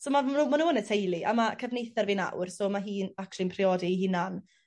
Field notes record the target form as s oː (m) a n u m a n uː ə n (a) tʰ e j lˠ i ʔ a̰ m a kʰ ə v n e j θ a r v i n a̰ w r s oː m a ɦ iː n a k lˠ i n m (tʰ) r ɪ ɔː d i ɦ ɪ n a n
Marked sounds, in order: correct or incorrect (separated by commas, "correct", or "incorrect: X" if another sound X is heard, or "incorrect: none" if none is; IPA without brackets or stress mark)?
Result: correct, incorrect: ə, incorrect: pʰ